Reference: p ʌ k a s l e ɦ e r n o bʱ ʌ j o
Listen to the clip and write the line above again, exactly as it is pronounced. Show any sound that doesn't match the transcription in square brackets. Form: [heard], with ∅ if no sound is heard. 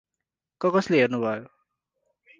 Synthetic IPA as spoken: [k] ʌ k [ʌ] s l e ɦ e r n [u] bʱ ʌ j o